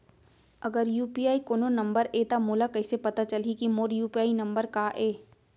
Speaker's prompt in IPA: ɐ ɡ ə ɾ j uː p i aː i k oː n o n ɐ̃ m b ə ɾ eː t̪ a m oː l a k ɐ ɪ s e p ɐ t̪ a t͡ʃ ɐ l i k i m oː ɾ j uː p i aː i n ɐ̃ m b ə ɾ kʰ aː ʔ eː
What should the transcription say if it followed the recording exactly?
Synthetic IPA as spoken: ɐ ɡ ə ɾ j uː p i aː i k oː n o n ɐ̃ m b ə ɾ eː t̪ a m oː l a k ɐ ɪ s e p ɐ t̪ a t͡ʃ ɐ l i k i m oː ɾ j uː p i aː i n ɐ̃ m b ə ɾ k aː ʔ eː